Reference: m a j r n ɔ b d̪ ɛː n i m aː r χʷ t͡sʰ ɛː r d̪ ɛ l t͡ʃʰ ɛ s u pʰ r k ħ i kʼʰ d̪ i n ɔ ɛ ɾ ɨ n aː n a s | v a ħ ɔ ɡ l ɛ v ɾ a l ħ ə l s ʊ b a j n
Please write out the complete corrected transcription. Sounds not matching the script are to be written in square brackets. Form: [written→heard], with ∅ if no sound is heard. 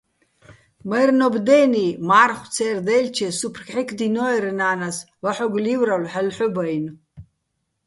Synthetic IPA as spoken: m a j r n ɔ b d̪ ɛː n i m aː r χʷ t͡sʰ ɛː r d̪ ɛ l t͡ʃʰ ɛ s u pʰ r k ħ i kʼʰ d̪ i n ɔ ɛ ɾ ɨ n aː n a s | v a ħ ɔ ɡ l [ɛ→i] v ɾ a l ħ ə l [s→ħ] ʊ b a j n